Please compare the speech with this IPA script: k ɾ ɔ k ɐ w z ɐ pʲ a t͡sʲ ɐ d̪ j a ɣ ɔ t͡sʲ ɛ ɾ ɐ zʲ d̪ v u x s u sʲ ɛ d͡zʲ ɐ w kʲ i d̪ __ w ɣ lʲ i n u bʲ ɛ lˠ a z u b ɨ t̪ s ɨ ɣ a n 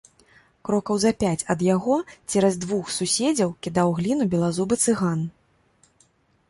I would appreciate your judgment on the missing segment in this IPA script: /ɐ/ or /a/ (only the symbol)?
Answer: a